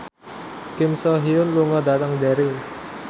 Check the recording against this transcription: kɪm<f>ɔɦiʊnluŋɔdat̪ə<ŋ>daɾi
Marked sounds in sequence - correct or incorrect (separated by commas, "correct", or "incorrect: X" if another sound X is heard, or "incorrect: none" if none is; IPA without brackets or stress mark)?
incorrect: s, correct